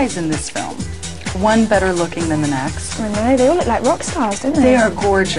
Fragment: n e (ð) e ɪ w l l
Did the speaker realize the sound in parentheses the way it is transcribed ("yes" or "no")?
yes